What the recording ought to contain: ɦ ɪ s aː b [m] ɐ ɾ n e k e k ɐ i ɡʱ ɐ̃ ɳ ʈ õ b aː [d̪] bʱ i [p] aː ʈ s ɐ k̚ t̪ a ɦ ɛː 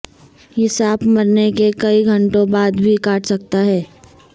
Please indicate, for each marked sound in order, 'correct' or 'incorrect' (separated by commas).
correct, correct, incorrect